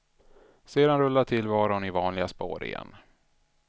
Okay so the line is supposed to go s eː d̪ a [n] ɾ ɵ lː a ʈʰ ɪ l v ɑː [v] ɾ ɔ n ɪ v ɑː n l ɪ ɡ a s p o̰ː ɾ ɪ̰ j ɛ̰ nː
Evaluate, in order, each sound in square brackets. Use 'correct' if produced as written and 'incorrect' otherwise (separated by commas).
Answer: correct, incorrect